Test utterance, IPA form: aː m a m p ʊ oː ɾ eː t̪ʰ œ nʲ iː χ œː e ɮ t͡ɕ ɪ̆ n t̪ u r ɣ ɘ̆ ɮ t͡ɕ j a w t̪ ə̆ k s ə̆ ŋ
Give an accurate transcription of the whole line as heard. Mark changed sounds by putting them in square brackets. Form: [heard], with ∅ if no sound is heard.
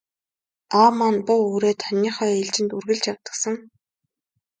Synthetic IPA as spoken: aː m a [n] p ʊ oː ɾ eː t̪ʰ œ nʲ iː χ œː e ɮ t͡ɕ ɪ̆ n t̪ u r ɣ ɘ̆ ɮ t͡ɕ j a w t̪ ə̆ k s ə̆ ŋ